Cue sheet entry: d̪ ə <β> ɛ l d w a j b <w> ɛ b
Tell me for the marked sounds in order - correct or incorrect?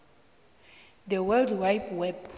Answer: incorrect, correct

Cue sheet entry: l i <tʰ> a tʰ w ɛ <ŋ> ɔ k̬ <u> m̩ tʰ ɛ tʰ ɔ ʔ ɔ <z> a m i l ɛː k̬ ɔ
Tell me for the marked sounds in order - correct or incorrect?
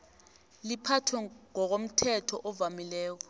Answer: incorrect, correct, incorrect, incorrect

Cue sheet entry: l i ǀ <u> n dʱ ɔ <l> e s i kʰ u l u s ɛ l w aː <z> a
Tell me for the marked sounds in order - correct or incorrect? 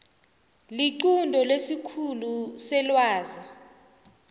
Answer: correct, correct, correct

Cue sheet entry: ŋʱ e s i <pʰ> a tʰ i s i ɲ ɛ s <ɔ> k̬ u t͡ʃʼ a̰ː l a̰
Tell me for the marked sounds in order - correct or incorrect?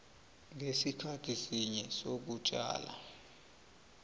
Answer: incorrect, incorrect

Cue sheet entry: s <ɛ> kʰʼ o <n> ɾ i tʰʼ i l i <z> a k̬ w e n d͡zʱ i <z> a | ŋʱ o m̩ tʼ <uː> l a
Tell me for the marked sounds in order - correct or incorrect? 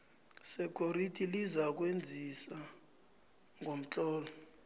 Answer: correct, incorrect, correct, incorrect, incorrect

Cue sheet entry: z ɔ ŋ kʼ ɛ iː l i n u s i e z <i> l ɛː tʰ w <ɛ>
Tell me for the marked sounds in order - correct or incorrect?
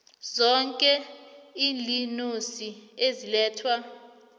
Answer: correct, incorrect

